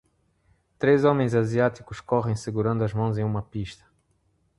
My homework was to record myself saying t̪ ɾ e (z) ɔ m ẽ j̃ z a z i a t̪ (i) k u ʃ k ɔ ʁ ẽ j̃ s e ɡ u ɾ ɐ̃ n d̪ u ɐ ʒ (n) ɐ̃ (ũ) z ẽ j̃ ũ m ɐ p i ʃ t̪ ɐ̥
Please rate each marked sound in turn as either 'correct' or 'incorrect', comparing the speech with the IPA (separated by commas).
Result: correct, correct, incorrect, incorrect